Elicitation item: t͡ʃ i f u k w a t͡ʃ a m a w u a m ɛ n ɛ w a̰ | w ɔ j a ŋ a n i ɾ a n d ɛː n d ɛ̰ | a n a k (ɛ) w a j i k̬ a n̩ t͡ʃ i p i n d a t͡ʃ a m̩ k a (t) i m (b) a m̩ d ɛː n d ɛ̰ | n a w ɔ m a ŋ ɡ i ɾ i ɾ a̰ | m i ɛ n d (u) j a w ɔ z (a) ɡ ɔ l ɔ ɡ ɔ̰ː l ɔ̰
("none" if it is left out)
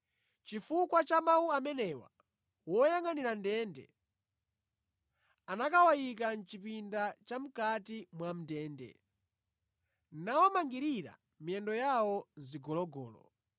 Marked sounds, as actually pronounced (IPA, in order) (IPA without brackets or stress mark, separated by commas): a, t, w, ɔ, i